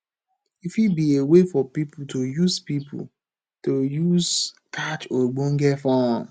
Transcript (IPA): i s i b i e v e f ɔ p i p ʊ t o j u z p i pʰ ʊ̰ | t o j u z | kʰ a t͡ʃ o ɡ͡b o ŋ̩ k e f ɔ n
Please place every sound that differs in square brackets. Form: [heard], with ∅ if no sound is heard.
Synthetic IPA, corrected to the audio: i [f] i b i e [w] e f ɔ p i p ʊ t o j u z p i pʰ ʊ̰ | t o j u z | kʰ a t͡ʃ o ɡ͡b o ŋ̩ [ɡ] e f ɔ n